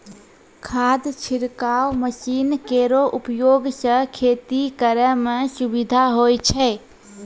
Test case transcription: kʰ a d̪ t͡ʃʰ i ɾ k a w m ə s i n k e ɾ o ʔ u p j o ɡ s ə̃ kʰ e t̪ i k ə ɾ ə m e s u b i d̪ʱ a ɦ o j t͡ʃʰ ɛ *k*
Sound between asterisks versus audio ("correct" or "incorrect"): incorrect